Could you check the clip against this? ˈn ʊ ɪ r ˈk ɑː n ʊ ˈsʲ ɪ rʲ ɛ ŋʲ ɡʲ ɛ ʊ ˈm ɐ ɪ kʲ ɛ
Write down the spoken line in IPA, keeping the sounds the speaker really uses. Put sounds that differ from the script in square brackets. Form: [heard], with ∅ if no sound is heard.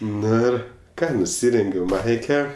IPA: ˈn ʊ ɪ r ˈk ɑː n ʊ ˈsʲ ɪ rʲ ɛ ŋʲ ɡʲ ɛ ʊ ˈm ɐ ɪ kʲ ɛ